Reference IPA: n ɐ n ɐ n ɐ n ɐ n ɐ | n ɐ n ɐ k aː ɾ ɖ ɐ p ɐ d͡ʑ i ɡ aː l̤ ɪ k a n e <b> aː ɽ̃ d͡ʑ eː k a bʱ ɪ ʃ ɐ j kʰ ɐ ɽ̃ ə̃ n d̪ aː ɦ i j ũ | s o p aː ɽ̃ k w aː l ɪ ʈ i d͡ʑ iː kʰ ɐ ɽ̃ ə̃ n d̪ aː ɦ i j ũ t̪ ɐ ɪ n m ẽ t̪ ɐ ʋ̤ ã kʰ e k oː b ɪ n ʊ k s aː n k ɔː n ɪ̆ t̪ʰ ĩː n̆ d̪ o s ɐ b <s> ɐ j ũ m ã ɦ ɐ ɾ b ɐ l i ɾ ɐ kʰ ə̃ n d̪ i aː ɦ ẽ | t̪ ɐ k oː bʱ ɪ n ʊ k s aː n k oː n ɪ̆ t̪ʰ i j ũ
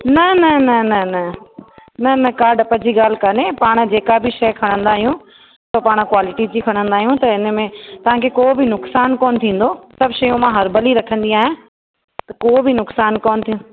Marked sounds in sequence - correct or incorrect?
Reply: incorrect: p, incorrect: ʃ

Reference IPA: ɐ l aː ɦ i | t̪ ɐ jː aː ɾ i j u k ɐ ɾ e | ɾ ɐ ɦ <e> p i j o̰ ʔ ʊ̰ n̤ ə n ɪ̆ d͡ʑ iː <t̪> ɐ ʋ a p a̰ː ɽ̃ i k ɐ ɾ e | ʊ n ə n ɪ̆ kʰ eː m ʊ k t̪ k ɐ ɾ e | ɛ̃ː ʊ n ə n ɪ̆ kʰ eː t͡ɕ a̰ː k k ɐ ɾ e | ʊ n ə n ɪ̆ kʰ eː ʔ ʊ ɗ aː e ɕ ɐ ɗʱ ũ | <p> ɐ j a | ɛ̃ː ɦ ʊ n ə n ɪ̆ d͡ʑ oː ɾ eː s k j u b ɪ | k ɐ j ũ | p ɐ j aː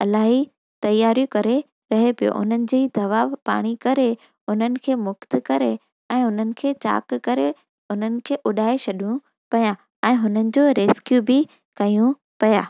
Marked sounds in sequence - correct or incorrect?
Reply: correct, incorrect: d̪, correct

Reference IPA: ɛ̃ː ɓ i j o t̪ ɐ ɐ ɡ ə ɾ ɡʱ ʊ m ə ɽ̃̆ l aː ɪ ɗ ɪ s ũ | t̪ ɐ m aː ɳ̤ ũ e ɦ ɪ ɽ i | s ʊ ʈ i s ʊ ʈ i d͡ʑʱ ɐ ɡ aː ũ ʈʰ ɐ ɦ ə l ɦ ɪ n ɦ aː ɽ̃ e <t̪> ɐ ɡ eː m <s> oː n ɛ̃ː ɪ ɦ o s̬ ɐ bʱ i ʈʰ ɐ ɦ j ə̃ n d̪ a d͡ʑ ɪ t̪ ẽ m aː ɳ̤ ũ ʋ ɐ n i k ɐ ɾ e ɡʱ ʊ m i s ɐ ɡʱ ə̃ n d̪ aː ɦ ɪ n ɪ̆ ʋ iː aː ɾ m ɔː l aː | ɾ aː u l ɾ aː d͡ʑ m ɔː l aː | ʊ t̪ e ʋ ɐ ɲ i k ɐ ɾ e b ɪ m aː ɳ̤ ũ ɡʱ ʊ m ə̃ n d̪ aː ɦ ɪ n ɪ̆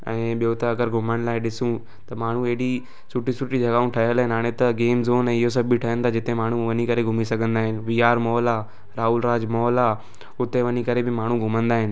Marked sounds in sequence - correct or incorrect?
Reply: correct, incorrect: z

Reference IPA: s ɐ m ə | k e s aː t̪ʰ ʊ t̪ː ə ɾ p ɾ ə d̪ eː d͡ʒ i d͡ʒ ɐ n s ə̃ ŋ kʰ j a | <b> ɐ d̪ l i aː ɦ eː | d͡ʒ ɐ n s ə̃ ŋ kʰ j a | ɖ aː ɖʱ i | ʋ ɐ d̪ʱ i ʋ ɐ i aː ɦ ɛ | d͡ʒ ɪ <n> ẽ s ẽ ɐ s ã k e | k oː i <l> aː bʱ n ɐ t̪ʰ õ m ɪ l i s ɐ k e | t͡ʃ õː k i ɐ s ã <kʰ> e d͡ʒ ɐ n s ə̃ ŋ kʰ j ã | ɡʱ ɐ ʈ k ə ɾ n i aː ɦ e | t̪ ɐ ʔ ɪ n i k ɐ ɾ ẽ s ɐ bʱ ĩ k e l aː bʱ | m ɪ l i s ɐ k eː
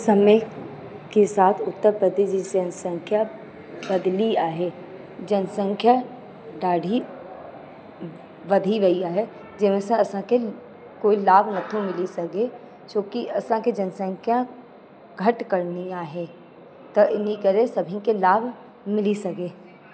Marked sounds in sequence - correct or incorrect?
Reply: correct, incorrect: m, correct, incorrect: k

